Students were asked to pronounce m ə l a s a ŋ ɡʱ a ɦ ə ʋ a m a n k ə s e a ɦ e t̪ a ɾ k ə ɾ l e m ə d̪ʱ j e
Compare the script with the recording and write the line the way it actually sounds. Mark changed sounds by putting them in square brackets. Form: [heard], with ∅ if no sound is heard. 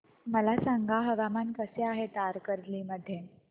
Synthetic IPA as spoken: m ə l a s a ŋ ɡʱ a ɦ ə ʋ a m a n k ə s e a ɦ e t̪ a ɾ k ə ɾ l [i] m ə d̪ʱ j e